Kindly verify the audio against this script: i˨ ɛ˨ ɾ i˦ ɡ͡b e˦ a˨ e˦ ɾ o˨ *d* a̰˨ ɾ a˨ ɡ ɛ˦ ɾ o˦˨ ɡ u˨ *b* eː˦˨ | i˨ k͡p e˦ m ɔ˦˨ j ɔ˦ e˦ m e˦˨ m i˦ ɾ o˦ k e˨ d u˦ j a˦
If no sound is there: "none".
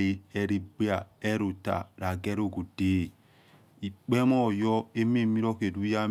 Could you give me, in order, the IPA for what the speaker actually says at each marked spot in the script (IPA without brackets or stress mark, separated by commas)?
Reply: t, d